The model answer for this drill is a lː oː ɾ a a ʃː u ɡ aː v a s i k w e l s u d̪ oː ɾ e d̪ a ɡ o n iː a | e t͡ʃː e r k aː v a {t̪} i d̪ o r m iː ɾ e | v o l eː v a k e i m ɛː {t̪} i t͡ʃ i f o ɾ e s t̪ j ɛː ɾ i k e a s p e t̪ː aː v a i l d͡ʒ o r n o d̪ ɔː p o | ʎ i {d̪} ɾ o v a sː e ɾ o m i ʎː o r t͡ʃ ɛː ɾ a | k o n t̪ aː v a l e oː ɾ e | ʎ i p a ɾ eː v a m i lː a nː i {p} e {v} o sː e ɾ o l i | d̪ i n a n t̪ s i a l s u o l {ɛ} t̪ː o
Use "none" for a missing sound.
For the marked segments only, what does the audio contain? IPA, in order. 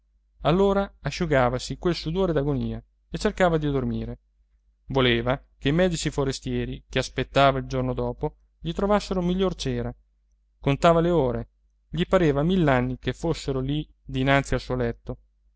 d̪, d̪, t̪, k, f, ɛ

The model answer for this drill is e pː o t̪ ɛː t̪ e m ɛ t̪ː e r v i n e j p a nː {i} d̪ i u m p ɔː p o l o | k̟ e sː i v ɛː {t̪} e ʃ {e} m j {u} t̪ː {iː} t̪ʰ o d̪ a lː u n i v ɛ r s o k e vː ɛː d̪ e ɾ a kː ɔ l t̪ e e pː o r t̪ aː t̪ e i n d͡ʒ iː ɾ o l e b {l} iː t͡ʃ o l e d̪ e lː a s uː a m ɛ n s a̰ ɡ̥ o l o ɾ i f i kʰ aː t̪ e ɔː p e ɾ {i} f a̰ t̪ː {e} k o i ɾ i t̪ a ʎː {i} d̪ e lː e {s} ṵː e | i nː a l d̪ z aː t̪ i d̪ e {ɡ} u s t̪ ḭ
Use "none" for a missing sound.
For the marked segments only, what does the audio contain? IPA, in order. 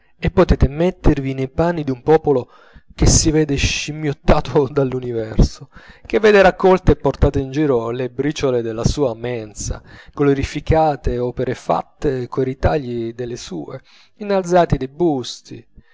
i, d̪, i, o, aː, ɾ, e, e, i, s, b

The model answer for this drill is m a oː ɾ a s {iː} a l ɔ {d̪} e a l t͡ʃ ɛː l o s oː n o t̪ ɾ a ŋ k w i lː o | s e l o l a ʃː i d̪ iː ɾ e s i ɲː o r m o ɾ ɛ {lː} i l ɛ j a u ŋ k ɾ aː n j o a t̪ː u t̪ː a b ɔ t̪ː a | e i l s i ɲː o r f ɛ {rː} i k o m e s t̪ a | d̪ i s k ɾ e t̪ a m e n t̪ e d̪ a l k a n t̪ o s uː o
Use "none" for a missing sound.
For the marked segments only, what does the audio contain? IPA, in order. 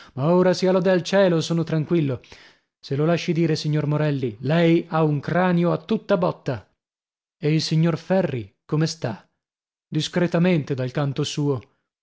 i, d̪, lː, rː

